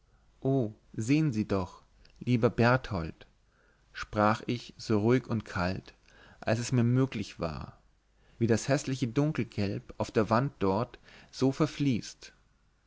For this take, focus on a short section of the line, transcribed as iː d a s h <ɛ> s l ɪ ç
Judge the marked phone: correct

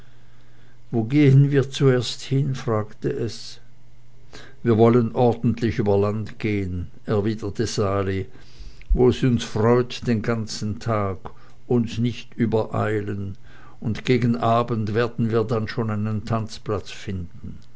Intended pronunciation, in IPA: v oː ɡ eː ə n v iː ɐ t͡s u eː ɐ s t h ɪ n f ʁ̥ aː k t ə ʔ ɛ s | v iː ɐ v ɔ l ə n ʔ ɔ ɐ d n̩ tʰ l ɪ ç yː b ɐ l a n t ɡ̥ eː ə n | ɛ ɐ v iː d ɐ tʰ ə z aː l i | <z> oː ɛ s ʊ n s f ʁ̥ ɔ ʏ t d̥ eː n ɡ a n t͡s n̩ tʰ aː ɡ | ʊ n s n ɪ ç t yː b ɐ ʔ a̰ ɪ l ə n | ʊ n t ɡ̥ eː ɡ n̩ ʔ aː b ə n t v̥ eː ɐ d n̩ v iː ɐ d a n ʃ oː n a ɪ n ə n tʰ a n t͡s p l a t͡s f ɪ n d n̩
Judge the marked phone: incorrect: v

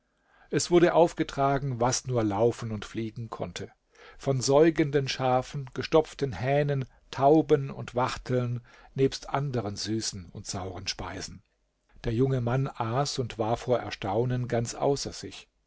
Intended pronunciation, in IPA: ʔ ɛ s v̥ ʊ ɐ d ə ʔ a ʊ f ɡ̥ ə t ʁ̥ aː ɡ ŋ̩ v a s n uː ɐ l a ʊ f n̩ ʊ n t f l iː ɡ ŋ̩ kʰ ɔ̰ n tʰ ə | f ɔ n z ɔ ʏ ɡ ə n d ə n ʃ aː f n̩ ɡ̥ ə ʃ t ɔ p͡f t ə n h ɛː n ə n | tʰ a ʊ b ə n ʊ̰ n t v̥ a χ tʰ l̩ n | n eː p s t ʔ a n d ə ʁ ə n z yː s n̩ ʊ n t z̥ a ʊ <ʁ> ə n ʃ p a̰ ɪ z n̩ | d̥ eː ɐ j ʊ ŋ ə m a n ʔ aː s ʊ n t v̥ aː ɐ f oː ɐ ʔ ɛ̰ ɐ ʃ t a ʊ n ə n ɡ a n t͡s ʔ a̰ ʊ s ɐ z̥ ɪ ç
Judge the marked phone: correct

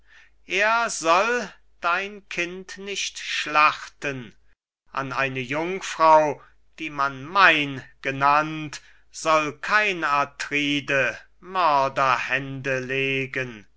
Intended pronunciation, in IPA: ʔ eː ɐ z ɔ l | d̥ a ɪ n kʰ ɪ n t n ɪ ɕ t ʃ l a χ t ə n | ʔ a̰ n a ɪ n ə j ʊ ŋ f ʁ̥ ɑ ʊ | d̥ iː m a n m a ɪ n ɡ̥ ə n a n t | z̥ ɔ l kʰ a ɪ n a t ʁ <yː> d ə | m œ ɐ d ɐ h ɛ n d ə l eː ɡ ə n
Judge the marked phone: incorrect: iː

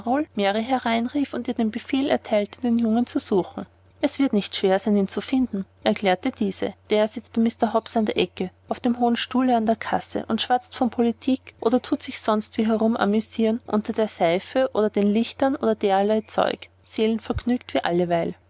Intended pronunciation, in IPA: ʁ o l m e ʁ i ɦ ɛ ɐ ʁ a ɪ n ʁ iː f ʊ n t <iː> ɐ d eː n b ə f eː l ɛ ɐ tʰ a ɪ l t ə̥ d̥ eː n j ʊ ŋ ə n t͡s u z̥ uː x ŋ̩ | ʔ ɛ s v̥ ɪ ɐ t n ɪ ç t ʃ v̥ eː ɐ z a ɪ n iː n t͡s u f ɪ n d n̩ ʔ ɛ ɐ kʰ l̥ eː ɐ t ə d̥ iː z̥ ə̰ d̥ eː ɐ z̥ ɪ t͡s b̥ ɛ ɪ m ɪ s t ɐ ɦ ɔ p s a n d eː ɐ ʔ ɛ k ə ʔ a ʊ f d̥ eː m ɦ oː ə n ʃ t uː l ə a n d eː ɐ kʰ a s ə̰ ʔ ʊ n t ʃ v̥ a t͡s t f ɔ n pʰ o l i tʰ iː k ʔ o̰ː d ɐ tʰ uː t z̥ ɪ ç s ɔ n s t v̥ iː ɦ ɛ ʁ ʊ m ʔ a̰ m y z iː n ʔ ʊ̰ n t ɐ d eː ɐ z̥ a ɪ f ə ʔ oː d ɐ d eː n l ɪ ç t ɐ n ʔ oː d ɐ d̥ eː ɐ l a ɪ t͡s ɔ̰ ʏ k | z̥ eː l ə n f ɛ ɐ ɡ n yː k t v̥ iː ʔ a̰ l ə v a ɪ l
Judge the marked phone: correct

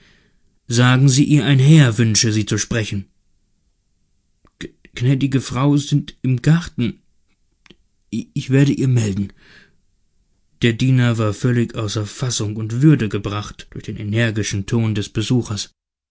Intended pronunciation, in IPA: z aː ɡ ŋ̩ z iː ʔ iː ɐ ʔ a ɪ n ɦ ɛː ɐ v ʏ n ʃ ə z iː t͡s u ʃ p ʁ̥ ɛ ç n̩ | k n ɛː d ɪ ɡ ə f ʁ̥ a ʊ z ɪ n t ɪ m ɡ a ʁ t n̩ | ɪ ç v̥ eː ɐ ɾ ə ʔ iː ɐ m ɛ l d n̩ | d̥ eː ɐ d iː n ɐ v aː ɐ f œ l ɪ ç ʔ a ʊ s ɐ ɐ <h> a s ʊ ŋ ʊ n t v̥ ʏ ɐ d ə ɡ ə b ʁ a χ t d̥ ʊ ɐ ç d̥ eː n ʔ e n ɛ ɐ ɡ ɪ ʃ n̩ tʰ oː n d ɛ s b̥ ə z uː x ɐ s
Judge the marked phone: incorrect: f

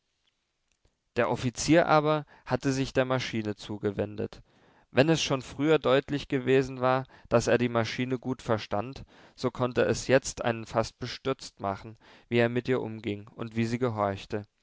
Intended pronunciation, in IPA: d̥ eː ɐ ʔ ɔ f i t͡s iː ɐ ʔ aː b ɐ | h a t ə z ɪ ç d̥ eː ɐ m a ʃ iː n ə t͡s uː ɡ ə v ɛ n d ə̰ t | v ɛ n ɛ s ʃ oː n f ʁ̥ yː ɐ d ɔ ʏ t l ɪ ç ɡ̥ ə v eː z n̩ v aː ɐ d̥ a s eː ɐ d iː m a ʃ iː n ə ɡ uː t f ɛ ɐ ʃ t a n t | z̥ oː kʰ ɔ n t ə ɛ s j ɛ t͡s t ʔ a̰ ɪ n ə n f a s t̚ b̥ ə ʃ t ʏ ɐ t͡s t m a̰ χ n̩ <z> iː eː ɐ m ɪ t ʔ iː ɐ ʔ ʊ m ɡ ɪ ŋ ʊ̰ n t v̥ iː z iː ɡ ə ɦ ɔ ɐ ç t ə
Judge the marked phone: incorrect: v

